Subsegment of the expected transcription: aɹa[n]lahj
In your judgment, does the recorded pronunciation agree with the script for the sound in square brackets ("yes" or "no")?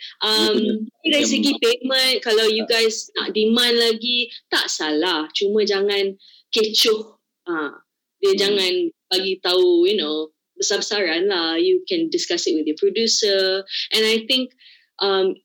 yes